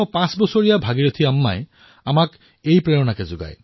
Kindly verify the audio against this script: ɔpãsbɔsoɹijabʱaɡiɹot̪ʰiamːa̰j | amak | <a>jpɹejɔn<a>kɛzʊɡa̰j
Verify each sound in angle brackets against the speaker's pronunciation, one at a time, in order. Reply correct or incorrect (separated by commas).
incorrect, correct